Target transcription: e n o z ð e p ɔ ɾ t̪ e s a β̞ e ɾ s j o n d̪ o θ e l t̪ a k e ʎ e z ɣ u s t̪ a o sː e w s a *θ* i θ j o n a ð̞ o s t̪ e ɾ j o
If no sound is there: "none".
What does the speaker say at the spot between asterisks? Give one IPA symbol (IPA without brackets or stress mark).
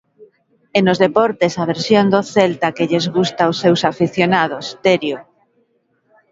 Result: f